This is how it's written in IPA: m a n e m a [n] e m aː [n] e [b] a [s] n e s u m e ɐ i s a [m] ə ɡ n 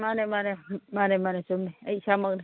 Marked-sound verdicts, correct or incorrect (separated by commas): correct, correct, incorrect, incorrect, correct